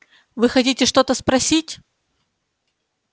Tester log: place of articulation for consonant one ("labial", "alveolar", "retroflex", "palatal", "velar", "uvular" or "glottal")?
labial